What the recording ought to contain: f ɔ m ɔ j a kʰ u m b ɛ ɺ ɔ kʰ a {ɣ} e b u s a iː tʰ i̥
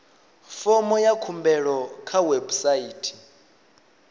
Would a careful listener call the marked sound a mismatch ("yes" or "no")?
yes